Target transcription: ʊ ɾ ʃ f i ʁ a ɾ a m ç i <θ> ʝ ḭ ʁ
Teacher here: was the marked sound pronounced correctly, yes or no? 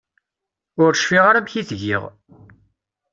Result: yes